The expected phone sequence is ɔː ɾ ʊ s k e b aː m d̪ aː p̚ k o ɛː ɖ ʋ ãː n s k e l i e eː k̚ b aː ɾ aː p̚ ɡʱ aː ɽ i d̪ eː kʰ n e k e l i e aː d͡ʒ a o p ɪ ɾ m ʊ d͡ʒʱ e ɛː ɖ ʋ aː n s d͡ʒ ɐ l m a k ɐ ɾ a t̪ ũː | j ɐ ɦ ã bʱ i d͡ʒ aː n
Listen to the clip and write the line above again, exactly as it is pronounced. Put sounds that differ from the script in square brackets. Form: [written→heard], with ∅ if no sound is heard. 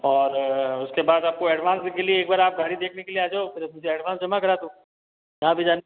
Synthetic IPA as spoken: ɔː ɾ ʊ s k e b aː [m→∅] d̪ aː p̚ k o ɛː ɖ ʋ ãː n s k e l i e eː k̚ b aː ɾ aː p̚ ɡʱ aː ɽ i d̪ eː kʰ n e k e l i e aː d͡ʒ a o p ɪ ɾ m ʊ d͡ʒʱ e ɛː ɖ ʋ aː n s d͡ʒ ɐ [l→∅] m a k ɐ ɾ a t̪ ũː | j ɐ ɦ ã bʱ i d͡ʒ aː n